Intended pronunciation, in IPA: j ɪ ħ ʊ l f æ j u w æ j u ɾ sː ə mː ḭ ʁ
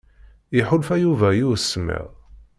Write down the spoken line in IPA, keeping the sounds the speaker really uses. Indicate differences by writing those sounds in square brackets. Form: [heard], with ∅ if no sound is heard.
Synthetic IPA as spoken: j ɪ ħ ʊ l f æ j u [v] æ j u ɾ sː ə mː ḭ ʁ